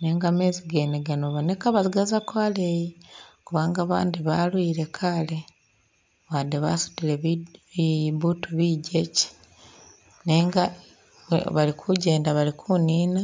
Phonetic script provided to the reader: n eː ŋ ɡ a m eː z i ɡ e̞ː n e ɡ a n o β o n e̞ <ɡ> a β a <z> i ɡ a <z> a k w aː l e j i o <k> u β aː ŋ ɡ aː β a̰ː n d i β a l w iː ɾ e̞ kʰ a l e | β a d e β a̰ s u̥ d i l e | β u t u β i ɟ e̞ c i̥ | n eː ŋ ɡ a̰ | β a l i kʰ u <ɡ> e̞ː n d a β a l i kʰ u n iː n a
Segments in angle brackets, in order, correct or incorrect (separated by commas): incorrect, correct, correct, correct, incorrect